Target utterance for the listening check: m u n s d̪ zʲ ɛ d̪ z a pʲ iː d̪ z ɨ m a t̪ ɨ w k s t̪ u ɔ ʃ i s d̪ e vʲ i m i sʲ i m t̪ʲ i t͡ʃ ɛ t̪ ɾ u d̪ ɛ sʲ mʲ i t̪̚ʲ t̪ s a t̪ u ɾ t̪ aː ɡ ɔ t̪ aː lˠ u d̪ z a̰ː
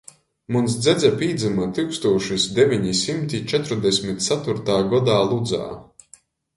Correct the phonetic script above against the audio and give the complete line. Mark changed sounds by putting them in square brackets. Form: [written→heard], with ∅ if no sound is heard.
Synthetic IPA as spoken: m u n s d̪ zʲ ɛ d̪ z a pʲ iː d̪ z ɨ m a t̪ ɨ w k s t̪ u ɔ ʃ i s d̪ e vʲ i [m→ɲ] i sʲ i m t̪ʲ i t͡ʃ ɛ t̪ ɾ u d̪ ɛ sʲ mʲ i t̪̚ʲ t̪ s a t̪ u ɾ t̪ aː ɡ ɔ [t̪→d̪] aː lˠ u d̪ z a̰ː